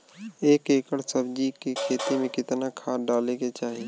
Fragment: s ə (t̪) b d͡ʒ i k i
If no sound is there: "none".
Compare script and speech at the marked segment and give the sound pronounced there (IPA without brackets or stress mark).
none